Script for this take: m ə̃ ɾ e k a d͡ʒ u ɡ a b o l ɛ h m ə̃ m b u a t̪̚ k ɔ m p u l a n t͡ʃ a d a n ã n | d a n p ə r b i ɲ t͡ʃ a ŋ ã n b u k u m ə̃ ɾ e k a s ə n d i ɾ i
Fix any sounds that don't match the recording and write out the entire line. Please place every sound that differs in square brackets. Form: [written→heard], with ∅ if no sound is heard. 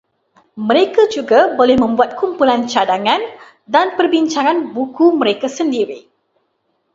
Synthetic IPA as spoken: m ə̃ ɾ e k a d͡ʒ u ɡ a b o l ɛ h m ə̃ m b u a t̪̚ k [ɔ→u] m p u l a n t͡ʃ a d a [n→ŋ] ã n | d a n p ə r b i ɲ t͡ʃ a ŋ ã n b u k u m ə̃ ɾ e k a s ə n d i ɾ i